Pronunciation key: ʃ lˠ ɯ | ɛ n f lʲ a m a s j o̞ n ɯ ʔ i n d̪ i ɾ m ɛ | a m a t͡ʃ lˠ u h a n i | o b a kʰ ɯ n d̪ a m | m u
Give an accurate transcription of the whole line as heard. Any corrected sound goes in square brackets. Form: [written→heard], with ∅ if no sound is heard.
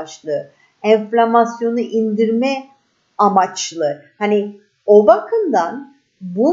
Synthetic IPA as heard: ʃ lˠ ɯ | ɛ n f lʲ a m a s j o̞ n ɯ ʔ i n d̪ i ɾ m ɛ | a m a t͡ʃ lˠ [u→ɯ] h a n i | o b a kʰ ɯ n d̪ a [m→n] | [m→b] u